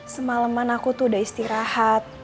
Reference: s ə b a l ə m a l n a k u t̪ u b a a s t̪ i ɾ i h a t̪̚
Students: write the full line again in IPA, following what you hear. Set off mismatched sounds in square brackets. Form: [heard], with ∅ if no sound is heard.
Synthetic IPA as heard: s ə [m] a l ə m a [∅] n a k u t̪ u [d] a [i] s t̪ i ɾ [a] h a t̪̚